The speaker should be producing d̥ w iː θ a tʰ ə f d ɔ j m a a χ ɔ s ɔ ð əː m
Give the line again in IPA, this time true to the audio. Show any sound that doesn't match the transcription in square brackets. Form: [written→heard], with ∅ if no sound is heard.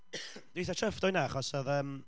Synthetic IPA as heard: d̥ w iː θ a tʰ ə f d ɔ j [m→n] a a χ ɔ s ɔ ð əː m

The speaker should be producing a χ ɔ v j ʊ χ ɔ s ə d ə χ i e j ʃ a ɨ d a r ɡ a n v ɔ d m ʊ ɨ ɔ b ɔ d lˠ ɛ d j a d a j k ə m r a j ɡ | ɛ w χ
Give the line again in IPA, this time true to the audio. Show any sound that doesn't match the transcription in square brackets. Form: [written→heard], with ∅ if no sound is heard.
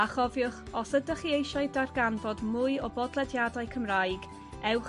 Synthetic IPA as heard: a χ ɔ v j ʊ χ ɔ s ə d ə χ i e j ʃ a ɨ d a r ɡ a n v ɔ d m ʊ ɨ ɔ b ɔ d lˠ ɛ d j a d a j [k→kʰ] ə m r a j ɡ | ɛ w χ

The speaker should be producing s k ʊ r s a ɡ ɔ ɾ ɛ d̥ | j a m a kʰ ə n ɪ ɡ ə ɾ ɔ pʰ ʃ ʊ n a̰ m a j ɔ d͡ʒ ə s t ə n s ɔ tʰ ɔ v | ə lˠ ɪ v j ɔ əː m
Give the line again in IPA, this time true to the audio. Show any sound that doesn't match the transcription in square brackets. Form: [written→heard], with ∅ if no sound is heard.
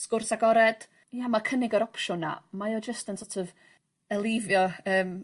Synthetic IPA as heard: s k ʊ r s a ɡ ɔ ɾ ɛ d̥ | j a m a kʰ ə n ɪ ɡ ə ɾ ɔ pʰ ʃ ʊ n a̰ m a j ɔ d͡ʒ ə s t ə n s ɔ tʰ ɔ v | ə lˠ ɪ v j ɔ əː m

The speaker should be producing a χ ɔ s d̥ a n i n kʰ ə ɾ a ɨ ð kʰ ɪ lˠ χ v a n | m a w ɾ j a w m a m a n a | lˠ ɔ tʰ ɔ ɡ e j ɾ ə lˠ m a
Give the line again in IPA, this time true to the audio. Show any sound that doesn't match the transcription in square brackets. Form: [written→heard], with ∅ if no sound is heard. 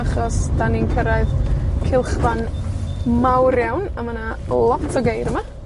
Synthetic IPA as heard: a χ ɔ s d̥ a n i n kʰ ə ɾ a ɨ ð kʰ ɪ lˠ χ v a n | m a w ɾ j a w [m→n] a m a n a | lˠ ɔ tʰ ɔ ɡ e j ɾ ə [lˠ→∅] m a

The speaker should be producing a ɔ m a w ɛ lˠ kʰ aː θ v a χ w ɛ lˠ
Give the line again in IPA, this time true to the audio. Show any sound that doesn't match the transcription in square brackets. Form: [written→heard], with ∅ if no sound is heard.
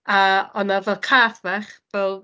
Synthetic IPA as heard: a ɔ [m→n] a [w→v] ɛ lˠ kʰ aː θ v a χ [w→v] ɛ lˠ

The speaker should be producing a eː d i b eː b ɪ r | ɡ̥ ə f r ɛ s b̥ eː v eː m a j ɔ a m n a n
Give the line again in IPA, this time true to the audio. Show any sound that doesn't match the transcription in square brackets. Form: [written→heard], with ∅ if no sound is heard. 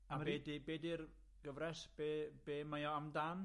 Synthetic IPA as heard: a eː d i b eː [b→d] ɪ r | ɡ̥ ə [f→v] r ɛ s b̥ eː [v→b] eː m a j ɔ a m [n→d] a n

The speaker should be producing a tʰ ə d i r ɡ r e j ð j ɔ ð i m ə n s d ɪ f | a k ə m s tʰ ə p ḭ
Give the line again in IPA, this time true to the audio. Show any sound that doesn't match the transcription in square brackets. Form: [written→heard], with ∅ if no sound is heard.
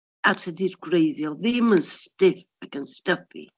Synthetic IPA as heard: a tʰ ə d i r ɡ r e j ð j ɔ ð [i→ɪ] m ə n s [d→t] ɪ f | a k ə [m→n] s [tʰ→t] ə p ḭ

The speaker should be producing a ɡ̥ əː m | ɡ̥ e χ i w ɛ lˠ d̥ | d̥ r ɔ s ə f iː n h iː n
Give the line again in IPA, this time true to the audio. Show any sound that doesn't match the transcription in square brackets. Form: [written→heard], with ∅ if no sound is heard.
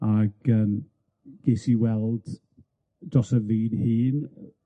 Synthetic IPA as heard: a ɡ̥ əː m | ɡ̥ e [χ→s] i w ɛ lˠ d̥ | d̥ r ɔ s ə [f→v] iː n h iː n

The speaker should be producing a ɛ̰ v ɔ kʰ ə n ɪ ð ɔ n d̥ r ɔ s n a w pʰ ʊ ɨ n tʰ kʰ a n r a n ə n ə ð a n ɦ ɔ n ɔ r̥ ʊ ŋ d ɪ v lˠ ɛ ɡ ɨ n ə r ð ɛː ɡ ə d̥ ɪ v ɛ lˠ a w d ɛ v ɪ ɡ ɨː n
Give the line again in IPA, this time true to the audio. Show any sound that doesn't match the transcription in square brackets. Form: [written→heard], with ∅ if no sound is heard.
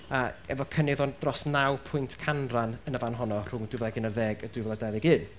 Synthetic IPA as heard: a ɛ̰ v ɔ kʰ ə n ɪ ð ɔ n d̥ r ɔ s n a w pʰ ʊ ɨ n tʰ kʰ a n r a n ə n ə [ð→v] a n ɦ ɔ n ɔ r̥ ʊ ŋ d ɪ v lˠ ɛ ɡ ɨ n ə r ð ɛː ɡ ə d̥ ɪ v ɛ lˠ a [w→∅] d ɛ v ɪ ɡ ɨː n

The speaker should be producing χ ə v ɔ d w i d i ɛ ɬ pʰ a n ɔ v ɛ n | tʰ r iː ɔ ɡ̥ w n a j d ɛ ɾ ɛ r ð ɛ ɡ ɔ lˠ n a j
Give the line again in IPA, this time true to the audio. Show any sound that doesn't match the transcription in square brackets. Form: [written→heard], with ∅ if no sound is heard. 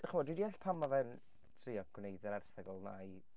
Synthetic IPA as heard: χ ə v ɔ d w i d i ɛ ɬ pʰ a [n→m] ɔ v ɛ n | tʰ r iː ɔ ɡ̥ w n [a→e] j d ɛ ɾ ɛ r [ð→θ] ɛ ɡ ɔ lˠ n a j

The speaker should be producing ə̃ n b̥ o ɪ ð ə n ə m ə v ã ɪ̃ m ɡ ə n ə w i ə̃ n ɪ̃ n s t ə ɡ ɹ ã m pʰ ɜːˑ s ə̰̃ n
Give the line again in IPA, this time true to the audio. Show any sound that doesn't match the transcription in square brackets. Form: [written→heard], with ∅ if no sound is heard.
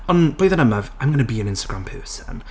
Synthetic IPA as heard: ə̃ n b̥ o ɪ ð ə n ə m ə v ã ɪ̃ m ɡ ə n ə [w→b] i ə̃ n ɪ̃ n s t ə ɡ ɹ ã m pʰ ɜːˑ s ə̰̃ n

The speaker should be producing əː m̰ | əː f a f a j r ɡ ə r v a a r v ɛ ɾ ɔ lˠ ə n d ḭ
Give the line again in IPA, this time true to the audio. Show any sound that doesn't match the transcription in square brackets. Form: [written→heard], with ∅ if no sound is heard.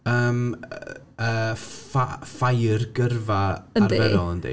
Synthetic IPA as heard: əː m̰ | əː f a f a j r ɡ ə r v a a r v ɛ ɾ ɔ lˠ ə n d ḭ

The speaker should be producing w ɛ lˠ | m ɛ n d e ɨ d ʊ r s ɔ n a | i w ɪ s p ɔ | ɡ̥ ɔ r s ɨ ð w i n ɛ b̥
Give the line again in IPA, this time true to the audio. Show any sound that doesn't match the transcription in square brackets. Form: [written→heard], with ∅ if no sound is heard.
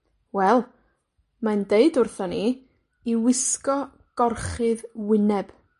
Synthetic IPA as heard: w ɛ lˠ | m [ɛ→a] n d e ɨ d ʊ r [s→θ] ɔ n [a→i] | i w ɪ s [p→k] ɔ | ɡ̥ ɔ r [s→χ] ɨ ð w [i→ɪ] n ɛ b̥

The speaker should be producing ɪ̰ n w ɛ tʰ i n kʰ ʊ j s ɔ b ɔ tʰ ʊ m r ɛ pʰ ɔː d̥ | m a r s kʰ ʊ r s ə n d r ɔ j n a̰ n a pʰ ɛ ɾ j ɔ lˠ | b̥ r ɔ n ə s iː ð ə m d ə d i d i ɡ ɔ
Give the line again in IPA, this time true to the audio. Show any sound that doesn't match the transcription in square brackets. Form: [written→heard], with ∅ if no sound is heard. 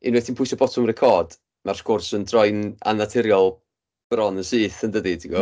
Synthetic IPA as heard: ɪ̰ n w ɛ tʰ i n [kʰ→pʰ] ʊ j s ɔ b ɔ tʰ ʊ m r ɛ [pʰ→kʰ] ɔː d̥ | m a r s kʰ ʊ r s ə n d r ɔ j n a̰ n a [pʰ→tʰ] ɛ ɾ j ɔ lˠ | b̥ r ɔ n ə s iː [ð→θ] ə [m→n] d ə d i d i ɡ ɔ

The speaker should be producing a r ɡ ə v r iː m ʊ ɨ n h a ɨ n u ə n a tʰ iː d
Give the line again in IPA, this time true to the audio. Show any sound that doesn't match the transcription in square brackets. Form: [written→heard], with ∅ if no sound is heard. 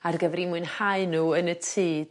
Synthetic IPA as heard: a r ɡ ə v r [iː→i] m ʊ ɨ n h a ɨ n u ə n [a→ə] tʰ iː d

